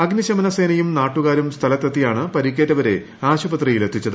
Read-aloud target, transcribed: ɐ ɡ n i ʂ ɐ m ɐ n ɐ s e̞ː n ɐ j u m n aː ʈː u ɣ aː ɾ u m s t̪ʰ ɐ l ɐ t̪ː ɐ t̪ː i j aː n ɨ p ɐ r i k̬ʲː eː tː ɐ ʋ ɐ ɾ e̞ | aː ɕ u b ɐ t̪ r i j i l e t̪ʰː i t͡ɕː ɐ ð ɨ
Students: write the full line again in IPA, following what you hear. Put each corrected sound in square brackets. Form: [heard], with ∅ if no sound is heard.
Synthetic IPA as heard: ɐ ɡ n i [ɕ] ɐ m ɐ n ɐ s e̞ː n ɐ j u m n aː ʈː u ɣ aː ɾ u m s t̪ʰ ɐ l ɐ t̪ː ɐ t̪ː i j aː [ɳ] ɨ p ɐ [ɾ] i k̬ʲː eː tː ɐ ʋ ɐ ɾ e̞ | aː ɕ u b ɐ t̪ r i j i l e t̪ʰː i t͡ɕː ɐ ð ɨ